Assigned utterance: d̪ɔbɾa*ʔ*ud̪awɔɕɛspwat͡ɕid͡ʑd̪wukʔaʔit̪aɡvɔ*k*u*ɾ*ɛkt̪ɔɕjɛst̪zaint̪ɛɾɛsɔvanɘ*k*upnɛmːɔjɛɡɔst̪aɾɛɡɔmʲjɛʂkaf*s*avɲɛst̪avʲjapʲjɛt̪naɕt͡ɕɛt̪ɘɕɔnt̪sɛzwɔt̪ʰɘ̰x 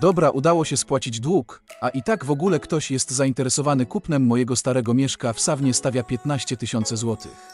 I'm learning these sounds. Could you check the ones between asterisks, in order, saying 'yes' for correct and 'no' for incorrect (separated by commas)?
yes, no, no, yes, yes